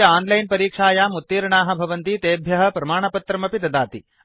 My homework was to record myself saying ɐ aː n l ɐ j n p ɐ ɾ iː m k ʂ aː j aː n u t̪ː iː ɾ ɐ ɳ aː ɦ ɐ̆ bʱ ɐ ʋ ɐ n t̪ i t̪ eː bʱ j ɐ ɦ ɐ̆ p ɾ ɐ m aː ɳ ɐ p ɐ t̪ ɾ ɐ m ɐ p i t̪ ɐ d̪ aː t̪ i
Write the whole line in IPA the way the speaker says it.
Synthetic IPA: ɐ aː n l ɐ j n p ɐ ɾ iː k ʂ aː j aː m u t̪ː iː ɾ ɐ ɳ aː ɦ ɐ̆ bʱ ɐ ʋ ɐ n t̪ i t̪ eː bʱ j ɐ ɦ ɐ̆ p ɾ ɐ m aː ɳ ɐ p ɐ t̪ ɾ ɐ m ɐ p i t̪ ɐ d̪ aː t̪ i